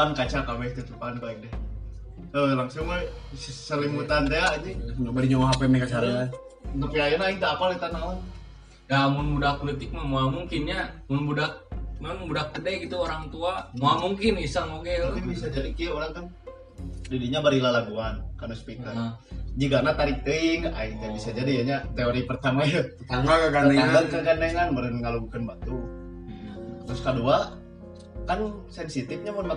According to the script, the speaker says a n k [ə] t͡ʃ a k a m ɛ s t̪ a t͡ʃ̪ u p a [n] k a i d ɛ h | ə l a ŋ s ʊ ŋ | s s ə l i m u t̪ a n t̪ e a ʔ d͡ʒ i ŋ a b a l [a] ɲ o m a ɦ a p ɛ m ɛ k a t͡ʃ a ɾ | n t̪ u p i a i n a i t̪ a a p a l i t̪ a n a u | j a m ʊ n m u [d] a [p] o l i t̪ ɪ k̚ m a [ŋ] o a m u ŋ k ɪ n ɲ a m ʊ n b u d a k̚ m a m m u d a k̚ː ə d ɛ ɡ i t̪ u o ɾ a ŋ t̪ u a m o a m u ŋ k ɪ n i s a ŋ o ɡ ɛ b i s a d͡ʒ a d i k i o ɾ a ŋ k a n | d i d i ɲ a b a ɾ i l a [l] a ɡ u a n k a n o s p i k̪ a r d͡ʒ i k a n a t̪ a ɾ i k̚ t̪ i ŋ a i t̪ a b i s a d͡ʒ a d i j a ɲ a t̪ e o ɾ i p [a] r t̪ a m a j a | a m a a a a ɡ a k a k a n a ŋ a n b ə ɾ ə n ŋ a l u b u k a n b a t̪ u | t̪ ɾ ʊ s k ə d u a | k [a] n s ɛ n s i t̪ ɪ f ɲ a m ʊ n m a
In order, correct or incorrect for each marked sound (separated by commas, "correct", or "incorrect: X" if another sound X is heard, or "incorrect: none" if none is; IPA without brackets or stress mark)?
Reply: incorrect: a, correct, incorrect: i, correct, correct, incorrect: m, correct, incorrect: ə, correct